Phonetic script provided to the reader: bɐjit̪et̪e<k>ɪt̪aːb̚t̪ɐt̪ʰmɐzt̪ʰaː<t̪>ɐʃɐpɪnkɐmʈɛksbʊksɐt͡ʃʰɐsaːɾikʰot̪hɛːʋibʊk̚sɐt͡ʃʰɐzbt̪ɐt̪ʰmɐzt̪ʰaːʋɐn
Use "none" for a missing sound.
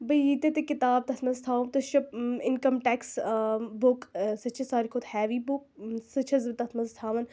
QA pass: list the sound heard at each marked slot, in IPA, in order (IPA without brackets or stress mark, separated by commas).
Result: k, t̪